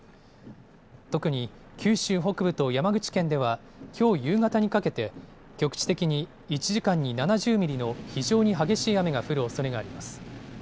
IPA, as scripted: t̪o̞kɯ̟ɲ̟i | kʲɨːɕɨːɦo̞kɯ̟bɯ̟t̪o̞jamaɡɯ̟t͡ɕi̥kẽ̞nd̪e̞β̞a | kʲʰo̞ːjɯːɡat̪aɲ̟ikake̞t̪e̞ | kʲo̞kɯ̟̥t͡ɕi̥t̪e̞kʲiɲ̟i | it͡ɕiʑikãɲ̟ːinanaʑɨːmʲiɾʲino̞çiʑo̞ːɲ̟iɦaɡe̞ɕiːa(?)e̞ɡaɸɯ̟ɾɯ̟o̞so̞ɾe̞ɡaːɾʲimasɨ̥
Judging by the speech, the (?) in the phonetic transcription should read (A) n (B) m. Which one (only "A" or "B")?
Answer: B